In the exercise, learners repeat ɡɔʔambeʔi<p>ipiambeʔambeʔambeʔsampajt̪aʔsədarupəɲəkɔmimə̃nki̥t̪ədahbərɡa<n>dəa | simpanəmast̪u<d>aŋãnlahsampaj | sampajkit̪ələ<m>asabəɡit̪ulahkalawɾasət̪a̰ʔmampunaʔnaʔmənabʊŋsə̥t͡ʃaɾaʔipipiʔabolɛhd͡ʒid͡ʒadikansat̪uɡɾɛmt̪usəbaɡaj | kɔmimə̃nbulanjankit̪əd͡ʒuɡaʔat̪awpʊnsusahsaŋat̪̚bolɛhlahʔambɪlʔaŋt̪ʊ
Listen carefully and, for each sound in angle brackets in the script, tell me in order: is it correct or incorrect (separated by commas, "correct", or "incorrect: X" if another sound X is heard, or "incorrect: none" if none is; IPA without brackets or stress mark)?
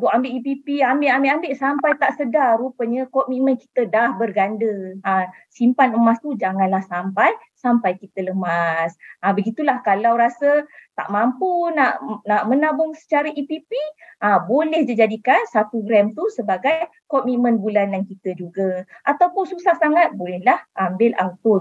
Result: correct, correct, incorrect: d͡ʒ, correct